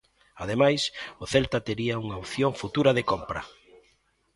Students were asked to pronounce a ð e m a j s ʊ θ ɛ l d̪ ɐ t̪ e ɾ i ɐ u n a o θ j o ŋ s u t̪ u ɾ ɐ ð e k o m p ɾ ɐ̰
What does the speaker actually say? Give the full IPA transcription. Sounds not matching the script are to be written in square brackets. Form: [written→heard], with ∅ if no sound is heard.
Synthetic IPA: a ð e m a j s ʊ θ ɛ l [d̪→t̪] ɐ t̪ e ɾ i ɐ u [n→ŋ] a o θ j o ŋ [s→f] u t̪ u ɾ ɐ ð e k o m p ɾ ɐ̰